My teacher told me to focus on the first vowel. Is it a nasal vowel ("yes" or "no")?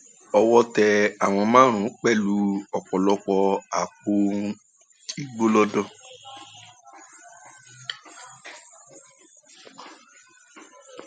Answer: no